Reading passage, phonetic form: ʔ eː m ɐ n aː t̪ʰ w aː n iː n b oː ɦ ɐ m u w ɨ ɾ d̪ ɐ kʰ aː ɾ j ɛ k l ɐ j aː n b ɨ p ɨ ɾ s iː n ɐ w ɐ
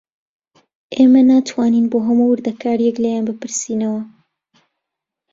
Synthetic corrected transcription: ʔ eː m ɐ n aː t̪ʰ w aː n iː n b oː ɦ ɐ m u w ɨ ɾ d̪ ɐ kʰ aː ɾ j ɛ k l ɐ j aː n b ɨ p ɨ ɾ s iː n ɐ w ɐ